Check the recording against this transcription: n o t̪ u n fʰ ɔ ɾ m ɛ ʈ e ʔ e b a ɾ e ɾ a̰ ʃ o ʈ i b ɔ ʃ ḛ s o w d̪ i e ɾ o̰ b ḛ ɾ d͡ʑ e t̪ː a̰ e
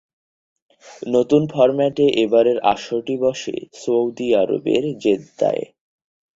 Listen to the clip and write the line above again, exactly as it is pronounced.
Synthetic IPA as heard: n o t̪ u n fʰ ɔ ɾ m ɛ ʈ e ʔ e b a ɾ e ɾ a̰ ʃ o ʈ i b ɔ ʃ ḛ s o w d̪ i a ɾ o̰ b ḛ ɾ d͡ʑ e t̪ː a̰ e